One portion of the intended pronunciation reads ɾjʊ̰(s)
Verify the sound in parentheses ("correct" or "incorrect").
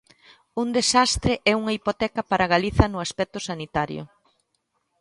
incorrect